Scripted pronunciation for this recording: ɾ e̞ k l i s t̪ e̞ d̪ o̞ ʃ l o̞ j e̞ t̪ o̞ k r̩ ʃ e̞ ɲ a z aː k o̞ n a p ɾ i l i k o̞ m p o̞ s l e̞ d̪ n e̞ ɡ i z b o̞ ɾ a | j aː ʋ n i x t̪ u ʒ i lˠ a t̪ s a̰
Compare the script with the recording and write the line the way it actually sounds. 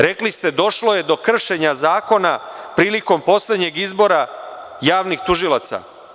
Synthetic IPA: ɾ e̞ k l i s t̪ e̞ d̪ o̞ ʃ l o̞ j e̞ d̪ o̞ k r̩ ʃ e̞ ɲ a z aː k o̞ n a p ɾ iː l i k o̞ m p o̞ s l e̞ d̪ ɲ e̞ ɡ i z b o̞ ɾ a | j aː ʋ n i x t̪ u ʒ i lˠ a t̪ s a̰

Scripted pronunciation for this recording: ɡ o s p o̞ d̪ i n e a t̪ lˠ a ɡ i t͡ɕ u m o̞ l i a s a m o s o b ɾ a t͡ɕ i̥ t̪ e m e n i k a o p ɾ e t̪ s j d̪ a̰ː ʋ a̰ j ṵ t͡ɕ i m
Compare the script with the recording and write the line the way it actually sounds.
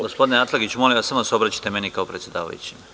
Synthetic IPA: ɡ o s p o̞ d̪ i n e a t̪ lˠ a ɡ i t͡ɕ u m o̞ l i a s a m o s o b ɾ a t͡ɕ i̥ t̪ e m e n i k a o p ɾ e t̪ s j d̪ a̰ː ʋ a̰ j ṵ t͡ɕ i m

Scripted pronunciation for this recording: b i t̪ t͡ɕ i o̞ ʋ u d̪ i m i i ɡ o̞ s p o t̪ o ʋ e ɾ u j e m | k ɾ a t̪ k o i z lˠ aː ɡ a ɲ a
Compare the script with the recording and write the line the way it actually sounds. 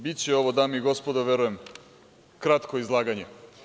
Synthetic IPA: b i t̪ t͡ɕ e o̞ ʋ o d̪ a m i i ɡ o̞ s p o d̪ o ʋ e ɾ u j e m | k ɾ a t̪ k o i z lˠ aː ɡ a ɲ e

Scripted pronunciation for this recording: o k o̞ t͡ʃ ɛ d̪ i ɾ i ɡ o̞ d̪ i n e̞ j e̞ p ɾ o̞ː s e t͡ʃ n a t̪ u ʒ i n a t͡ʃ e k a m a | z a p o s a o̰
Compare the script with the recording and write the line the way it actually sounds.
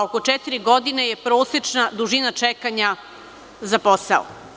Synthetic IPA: o k o̞ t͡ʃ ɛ t̪ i ɾ i ɡ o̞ d̪ i n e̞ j e̞ p ɾ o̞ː s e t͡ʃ n a d̪ u ʒ i n a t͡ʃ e k a ɲ a | z a p o s a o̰

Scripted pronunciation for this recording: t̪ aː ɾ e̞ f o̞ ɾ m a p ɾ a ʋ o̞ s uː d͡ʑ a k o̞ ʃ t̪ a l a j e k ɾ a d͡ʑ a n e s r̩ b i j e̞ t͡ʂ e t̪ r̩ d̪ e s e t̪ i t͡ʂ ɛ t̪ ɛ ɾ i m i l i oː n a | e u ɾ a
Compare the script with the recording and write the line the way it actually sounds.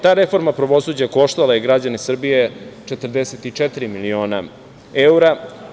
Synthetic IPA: t̪ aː ɾ e̞ f o̞ ɾ m a p ɾ a ʋ o̞ s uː d͡ʑ a k o̞ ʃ t̪ a l a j e ɡ ɾ a d͡ʑ a n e s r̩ b i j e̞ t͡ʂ e t̪ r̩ d̪ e s e t̪ i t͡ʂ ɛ t̪ i ɾ i m i l i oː n a | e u ɾ a

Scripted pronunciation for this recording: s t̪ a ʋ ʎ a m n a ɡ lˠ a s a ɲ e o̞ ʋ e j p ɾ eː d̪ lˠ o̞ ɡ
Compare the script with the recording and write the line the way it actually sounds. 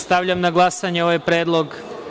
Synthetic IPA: s t̪ a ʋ ʎ a m n a ɡ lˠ a s a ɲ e o̞ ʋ a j p ɾ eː d̪ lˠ o̞ ɡ

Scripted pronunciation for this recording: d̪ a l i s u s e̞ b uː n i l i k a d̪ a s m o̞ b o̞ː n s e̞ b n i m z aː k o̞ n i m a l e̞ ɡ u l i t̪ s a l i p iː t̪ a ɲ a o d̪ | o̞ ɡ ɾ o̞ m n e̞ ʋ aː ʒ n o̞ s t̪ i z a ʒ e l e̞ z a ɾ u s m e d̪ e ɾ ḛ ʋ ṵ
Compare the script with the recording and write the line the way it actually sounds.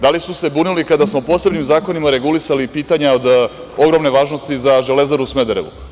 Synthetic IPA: d̪ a l i s u s e̞ b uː n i l i k a d̪ a s m o̞ p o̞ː s e̞ b n i m z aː k o̞ n i m a ɾ e̞ ɡ u l i s a l i p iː t̪ a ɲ a o d̪ | o̞ ɡ ɾ o̞ m n e̞ ʋ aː ʒ n o̞ s t̪ i z a ʒ e l e̞ z a ɾ u s m e d̪ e ɾ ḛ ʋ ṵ

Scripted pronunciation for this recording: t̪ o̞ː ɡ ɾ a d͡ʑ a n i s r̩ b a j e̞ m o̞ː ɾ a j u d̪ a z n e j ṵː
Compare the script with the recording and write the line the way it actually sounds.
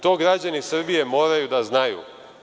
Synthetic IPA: t̪ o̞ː ɡ ɾ a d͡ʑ a n i s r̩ b i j e̞ m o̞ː ɾ a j u d̪ a z n a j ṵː

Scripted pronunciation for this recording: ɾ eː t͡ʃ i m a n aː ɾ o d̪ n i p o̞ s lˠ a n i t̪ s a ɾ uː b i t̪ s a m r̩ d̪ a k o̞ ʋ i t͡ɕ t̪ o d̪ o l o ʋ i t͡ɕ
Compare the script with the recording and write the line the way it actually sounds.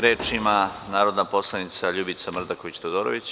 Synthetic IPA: ɾ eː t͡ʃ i m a n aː ɾ o d̪ n a p o̞ s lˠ a n i t̪ s a ʎ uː b i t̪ s a m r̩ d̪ a k o̞ ʋ i t͡ɕ t̪ o d̪ o ɾ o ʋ i t͡ɕ

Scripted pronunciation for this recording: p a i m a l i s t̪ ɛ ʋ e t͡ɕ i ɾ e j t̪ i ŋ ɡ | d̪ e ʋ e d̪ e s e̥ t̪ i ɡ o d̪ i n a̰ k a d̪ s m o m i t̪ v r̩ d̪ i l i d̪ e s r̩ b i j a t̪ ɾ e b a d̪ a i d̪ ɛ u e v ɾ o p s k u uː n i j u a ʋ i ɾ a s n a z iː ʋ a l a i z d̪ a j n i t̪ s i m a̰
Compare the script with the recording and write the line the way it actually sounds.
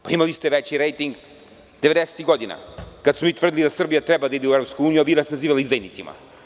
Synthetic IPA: p a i m a l i s t̪ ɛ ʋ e t͡ɕ i ɾ e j t̪ i ŋ ɡ | d̪ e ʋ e d̪ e s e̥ t̪ i ɡ o d̪ i n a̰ k a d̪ s m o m i t̪ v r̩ d̪ i l i d̪ a s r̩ b i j a t̪ ɾ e b a d̪ a i d̪ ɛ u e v ɾ o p s k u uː n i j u a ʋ i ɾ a s n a z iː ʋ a l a i z d̪ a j n i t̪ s i m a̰

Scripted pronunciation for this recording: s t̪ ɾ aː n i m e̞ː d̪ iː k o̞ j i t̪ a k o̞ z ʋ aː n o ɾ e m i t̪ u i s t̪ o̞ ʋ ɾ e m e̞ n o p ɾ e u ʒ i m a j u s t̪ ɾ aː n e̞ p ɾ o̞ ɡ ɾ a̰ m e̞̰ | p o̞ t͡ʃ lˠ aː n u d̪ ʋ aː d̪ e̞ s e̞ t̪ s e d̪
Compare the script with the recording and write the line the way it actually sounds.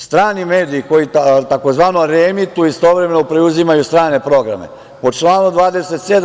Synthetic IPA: s t̪ ɾ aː n i m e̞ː d̪ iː k o̞ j i t̪ a k o̞ z ʋ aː n o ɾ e m i t̪ u i s t̪ o̞ ʋ ɾ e m e̞ n o p ɾ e u z i m a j u s t̪ ɾ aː n e̞ p ɾ o̞ ɡ ɾ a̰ m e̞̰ | p o̞ t͡ʃ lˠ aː n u d̪ ʋ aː d̪ e̞ s e̞ t̪ s e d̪

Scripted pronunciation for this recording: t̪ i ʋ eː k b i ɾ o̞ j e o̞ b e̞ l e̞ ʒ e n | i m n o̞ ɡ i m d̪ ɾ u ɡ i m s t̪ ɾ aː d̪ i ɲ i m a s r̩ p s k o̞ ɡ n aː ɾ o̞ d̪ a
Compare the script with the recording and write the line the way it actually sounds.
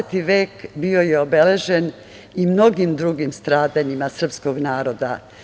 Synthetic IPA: t̪ i ʋ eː k b i o̞ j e o̞ b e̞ l e̞ ʒ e n | i m n o̞ ɡ i m d̪ ɾ u ɡ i m s t̪ ɾ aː d̪ a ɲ i m a s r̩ p s k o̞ ɡ n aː ɾ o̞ d̪ a

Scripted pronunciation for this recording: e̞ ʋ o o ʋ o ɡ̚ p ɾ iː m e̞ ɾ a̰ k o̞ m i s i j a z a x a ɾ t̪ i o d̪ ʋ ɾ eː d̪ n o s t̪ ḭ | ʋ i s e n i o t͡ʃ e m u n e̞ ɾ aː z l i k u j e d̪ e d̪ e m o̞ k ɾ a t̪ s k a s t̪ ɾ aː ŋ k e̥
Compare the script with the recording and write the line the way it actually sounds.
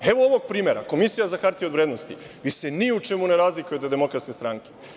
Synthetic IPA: e̞ ʋ o o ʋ o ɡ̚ p ɾ iː m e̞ ɾ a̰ k o̞ m i s i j a z a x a ɾ t̪ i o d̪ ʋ ɾ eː d̪ n o s t̪ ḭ | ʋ i s e n i u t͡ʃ e m u n e̞ ɾ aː z l i k u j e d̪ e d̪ e m o̞ k ɾ a t̪ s k e s t̪ ɾ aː ŋ k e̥

